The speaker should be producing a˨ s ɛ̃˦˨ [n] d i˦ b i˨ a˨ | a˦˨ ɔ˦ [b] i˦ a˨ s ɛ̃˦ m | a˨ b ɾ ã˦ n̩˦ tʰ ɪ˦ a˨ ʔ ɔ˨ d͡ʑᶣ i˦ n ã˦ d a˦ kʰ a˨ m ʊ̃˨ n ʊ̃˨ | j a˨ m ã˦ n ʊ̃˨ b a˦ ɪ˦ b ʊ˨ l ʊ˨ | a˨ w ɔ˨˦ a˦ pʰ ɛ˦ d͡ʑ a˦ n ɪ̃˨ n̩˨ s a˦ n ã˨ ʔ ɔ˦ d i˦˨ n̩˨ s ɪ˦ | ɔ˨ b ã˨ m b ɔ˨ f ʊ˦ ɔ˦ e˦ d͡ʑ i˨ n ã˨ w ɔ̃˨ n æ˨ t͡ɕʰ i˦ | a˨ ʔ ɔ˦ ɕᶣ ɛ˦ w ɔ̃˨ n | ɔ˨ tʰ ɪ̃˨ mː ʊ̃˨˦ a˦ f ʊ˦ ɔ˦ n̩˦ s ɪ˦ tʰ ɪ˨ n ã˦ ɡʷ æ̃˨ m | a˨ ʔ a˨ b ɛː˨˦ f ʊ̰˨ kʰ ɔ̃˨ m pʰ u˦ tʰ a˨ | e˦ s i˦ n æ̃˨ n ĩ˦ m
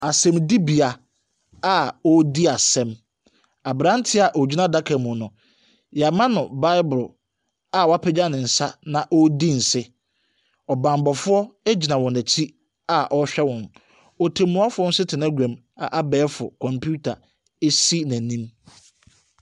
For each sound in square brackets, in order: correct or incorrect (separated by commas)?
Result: incorrect, incorrect